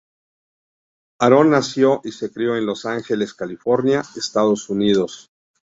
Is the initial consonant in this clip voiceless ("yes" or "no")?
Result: no